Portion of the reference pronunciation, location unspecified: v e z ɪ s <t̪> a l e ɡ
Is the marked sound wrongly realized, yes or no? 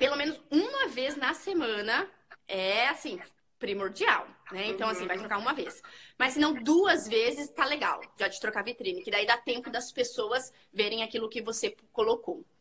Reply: no